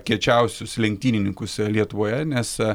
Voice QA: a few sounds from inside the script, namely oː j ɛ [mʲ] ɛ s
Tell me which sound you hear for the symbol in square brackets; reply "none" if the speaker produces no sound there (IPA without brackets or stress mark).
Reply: nʲ